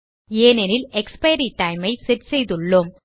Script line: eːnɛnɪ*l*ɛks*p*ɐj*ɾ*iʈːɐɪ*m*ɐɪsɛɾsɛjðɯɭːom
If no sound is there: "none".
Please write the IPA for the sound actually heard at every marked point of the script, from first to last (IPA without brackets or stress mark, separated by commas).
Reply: l, p, ɾ, m